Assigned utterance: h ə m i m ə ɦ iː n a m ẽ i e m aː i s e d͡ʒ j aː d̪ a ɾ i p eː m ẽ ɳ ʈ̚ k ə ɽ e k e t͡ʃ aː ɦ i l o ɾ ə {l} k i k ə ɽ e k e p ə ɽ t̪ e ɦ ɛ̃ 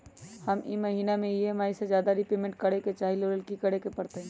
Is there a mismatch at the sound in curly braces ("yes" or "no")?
no